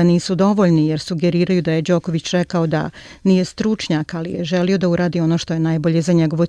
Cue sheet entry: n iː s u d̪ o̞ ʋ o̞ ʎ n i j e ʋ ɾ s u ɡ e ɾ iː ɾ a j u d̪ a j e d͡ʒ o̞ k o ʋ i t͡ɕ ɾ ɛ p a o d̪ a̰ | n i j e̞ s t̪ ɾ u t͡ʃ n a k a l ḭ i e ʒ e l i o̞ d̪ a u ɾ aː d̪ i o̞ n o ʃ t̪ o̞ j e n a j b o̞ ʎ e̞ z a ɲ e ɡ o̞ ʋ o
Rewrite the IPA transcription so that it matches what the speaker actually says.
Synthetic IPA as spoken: n iː s u d̪ o̞ ʋ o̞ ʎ n i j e ɾ s u ɡ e ɾ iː ɾ a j u d̪ a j e d͡ʒ o̞ k o ʋ i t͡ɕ ɾ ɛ k a o d̪ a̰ | n i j e̞ s t̪ ɾ u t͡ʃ ɲ a k a l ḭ j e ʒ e l i o̞ d̪ a u ɾ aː d̪ i o̞ n o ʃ t̪ o̞ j e n a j b o̞ ʎ e̞ z a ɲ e ɡ o̞ ʋ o